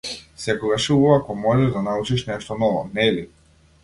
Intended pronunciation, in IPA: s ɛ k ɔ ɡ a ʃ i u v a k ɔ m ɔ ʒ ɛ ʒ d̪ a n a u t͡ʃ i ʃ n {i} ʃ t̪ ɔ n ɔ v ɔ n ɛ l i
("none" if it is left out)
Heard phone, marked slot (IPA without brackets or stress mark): ɛ